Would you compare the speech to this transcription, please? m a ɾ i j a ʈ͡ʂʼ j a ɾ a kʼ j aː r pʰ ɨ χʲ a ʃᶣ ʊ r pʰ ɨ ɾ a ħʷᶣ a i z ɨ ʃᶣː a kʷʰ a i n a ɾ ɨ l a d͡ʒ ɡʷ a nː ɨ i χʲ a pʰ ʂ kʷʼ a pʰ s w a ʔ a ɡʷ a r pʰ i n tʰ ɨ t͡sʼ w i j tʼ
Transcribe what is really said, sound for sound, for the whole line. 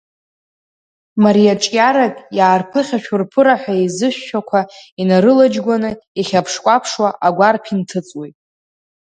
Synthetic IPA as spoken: m a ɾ i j a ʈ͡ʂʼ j a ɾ a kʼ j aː r pʰ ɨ χʲ a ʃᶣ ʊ r pʰ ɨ ɾ a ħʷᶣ a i z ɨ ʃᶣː a kʷʰ a i n a ɾ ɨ l a d͡ʒ ɡʷ a n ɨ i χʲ a pʰ ʂ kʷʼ a pʰ ʂ w a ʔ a ɡʷ a r pʰ i n tʰ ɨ t͡sʼ w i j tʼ